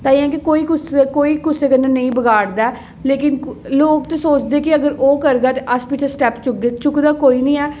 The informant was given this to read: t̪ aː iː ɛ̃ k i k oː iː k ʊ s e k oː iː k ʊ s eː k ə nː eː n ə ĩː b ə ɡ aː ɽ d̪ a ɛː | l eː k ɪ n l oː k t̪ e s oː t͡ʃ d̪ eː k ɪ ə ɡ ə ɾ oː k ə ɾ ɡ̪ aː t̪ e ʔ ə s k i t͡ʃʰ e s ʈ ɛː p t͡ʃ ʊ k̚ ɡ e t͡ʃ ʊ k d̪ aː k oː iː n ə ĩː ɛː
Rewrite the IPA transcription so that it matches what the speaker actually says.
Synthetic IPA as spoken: t̪ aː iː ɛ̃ k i k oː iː k ʊ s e k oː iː k ʊ s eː k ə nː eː n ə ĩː b ə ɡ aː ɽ d̪ a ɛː | l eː k ɪ n l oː k t̪ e s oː t͡ʃ d̪ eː k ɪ ə ɡ ə ɾ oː k ə ɾ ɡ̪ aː t̪ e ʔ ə s p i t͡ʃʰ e s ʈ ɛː p t͡ʃ ʊ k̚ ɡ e t͡ʃ ʊ k d̪ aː k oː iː n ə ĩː ɛː

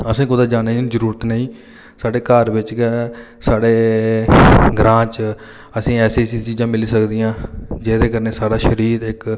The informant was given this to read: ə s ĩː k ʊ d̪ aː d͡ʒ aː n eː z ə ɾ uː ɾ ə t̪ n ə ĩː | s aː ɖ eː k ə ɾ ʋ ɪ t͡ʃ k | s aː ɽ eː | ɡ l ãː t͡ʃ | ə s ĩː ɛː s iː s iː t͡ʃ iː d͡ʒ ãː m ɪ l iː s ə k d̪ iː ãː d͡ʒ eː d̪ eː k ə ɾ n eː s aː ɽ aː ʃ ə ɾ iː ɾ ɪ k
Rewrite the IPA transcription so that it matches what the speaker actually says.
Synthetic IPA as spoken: ə s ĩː k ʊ d̪ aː d͡ʒ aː n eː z ə ɾ uː ɾ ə t̪ n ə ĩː | s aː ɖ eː k ə ɾ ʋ ɪ t͡ʃ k | s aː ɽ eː | ɡ ɾ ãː t͡ʃ | ə s ĩː ɛː s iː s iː t͡ʃ iː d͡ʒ ãː m ɪ l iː s ə k d̪ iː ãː d͡ʒ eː d̪ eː k ə ɾ n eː s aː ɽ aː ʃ ə ɾ iː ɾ ɪ k

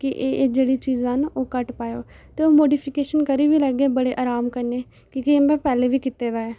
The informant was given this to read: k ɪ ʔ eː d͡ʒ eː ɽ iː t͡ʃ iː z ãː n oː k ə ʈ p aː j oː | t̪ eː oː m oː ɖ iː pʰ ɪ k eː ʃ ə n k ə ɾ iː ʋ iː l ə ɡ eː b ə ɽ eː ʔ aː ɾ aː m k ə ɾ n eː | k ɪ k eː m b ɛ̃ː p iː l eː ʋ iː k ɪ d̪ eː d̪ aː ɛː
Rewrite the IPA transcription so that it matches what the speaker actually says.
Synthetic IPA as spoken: k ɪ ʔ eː d͡ʒ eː ɽ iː t͡ʃ iː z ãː n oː k ə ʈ p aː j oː | t̪ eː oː m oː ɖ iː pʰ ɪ k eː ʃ ə n k ə ɾ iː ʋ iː l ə ɡ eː b ə ɽ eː ʔ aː ɾ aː m k ə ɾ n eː | k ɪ k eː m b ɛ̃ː p ɛː l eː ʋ iː k ɪ t̪ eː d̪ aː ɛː

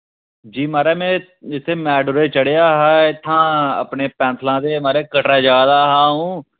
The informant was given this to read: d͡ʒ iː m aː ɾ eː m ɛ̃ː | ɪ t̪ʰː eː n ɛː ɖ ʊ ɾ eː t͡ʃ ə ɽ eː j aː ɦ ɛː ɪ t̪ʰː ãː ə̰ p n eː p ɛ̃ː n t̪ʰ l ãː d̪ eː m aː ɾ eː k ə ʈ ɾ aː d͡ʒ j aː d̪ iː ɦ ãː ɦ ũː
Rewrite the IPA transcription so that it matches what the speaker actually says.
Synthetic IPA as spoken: d͡ʒ iː m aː ɾ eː m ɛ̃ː | ɪ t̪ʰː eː m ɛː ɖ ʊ ɾ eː t͡ʃ ə ɽ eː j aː ɦ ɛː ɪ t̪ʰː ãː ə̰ p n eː p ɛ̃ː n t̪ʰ l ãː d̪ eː m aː ɾ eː k ə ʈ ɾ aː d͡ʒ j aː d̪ aː ɦ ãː ɦ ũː

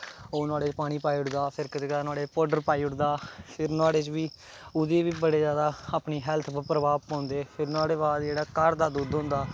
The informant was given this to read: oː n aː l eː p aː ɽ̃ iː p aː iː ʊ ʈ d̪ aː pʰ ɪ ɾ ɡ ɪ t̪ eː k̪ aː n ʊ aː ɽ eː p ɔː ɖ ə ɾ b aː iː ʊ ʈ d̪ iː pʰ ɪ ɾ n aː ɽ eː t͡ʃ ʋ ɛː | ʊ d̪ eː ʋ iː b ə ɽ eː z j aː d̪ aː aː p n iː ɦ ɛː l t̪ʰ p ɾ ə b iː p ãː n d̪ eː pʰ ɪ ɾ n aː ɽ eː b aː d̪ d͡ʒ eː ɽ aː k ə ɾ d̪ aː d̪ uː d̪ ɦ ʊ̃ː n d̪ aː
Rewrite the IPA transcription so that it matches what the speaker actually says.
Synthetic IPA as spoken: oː n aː ɽ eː p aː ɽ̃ iː p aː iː ʊ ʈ d̪ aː pʰ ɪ ɾ k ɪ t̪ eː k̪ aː n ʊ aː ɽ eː p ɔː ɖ ə ɾ p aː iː ʊ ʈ d̪ aː pʰ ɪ ɾ n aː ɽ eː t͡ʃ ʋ iː | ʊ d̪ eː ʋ iː b ə ɽ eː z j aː d̪ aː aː p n iː ɦ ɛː l t̪ʰ p ɾ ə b aː p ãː n d̪ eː pʰ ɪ ɾ n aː ɽ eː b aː d̪ d͡ʒ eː ɽ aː k ə ɾ d̪ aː d̪ uː d̪ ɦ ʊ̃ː n d̪ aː

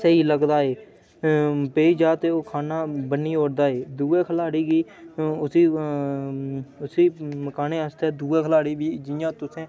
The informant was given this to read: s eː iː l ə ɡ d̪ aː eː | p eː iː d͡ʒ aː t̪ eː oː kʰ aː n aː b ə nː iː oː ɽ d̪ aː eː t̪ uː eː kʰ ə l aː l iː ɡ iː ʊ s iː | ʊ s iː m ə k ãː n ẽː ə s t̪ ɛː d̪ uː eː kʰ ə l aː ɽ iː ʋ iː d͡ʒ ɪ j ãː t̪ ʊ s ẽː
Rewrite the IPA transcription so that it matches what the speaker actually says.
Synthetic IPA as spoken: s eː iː l ə ɡ d̪ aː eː | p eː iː d͡ʒ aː t̪ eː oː kʰ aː n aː b ə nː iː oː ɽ d̪ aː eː d̪ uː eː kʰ ə l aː ɽ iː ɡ iː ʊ s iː | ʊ s iː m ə k aː n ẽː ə s t̪ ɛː d̪ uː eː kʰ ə l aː ɽ iː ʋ iː d͡ʒ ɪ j ãː t̪ ʊ s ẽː

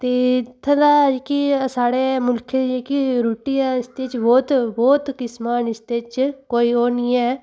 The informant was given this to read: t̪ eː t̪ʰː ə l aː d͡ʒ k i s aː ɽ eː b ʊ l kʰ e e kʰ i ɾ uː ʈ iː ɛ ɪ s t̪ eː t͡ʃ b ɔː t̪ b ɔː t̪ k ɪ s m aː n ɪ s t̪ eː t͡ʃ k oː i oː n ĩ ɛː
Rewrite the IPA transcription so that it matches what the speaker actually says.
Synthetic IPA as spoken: t̪ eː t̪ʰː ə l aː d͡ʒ k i s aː ɽ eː m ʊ l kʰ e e k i ɾ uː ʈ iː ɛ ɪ s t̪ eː t͡ʃ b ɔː t̪ b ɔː t̪ k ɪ s m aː n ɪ s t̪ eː t͡ʃ k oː i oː n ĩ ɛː

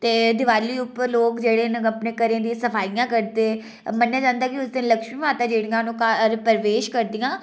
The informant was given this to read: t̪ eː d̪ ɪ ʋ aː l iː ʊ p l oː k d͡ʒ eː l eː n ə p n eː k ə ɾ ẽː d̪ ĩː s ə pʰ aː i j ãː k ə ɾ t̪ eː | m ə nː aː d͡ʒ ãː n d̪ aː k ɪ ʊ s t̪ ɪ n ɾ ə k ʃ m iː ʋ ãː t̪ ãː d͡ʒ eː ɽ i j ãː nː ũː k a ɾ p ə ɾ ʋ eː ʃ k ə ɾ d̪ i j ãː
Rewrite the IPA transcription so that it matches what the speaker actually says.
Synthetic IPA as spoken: t̪ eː d̪ ɪ ʋ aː l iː ʊ p l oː k d͡ʒ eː ɽ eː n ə p n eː k ə ɾ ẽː d̪ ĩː s ə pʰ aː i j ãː k ə ɾ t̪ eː | m ə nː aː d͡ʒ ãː n d̪ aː k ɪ ʊ s d̪ ɪ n l ə k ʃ m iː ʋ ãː t̪ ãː d͡ʒ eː ɽ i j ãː n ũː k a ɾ p ə ɾ ʋ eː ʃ k ə ɾ d̪ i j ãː

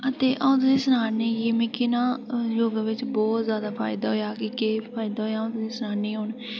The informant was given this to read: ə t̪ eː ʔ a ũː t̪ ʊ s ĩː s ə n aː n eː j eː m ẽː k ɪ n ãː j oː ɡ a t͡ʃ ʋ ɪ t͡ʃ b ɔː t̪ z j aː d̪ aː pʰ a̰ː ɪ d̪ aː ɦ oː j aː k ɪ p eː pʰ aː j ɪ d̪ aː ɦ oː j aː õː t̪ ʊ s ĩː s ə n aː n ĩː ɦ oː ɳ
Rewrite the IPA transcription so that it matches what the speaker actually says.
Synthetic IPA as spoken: ə t̪ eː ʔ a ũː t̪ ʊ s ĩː s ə n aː n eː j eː m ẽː k ɪ n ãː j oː ɡ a ʋ ɪ t͡ʃ b ɔː t̪ z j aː d̪ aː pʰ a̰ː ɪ d̪ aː ɦ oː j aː k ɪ k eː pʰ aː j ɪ d̪ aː ɦ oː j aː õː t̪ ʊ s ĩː s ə n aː n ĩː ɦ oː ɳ

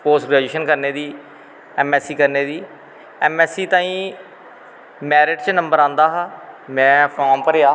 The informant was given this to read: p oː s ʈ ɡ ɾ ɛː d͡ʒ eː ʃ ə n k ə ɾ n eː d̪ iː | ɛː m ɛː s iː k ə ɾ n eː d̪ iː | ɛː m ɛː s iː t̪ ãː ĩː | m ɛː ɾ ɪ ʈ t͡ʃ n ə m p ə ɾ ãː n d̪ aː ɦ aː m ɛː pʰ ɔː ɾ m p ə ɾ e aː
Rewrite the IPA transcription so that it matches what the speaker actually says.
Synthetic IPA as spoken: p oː s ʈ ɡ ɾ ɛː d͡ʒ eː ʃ ə n k ə ɾ n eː d̪ iː | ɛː m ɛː s iː k ə ɾ n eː d̪ iː | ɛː m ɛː s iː t̪ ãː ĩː | m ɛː ɾ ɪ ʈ t͡ʃ n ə m b ə ɾ ãː n d̪ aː ɦ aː m ɛ̃ː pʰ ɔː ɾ m p ə ɾ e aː

